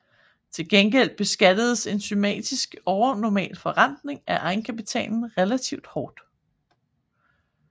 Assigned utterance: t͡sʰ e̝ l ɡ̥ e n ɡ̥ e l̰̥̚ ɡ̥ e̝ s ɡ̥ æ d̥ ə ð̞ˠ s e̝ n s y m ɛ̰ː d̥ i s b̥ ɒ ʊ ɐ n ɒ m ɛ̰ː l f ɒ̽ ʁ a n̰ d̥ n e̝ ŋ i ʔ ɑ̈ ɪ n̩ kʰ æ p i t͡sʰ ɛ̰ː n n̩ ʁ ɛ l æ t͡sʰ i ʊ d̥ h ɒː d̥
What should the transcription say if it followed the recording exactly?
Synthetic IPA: t͡sʰ e̝ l ɡ̥ e n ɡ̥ e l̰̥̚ b̥ e̝ s ɡ̥ æ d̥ ə ð̞ˠ s e̝ n s y m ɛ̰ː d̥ i s ɡ̥ ɒ ʊ ɐ n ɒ m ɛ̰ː l f ɒ̽ ʁ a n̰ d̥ n e̝ ŋ æ ʔ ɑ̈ ɪ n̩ kʰ æ p i t͡sʰ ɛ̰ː n n̩ ʁ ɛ l æ t͡sʰ i ʊ d̥ h ɒː d̥